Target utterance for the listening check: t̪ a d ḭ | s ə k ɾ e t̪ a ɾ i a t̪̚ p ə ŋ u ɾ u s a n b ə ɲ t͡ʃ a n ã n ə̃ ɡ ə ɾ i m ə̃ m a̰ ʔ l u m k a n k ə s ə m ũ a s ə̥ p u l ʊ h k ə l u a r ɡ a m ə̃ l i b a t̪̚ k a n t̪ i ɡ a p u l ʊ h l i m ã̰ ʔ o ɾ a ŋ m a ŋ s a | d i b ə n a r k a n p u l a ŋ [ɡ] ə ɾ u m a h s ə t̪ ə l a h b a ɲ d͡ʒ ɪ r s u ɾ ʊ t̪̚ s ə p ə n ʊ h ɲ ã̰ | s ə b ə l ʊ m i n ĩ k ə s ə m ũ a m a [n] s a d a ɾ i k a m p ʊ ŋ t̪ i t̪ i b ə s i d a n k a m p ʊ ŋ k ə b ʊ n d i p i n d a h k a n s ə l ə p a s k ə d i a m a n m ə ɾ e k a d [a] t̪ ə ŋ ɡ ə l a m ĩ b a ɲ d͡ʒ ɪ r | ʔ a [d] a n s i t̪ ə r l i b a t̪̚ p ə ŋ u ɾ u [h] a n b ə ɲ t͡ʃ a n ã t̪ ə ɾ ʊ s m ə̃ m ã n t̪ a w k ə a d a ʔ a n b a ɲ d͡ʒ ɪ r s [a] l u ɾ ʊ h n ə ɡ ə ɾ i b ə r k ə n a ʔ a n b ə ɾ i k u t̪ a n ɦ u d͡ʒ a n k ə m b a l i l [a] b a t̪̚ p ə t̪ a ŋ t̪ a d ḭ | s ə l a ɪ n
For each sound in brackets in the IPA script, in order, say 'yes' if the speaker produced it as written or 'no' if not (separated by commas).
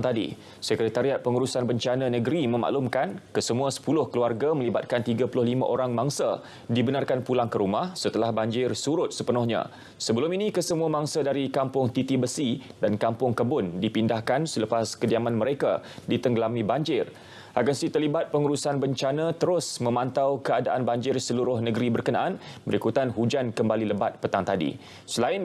no, no, no, no, no, no, no